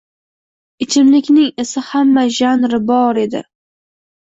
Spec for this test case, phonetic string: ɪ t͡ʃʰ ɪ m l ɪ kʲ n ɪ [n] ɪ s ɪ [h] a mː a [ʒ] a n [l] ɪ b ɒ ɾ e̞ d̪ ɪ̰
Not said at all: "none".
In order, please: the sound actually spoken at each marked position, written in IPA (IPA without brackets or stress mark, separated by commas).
ŋ, h, ʒ, ɾ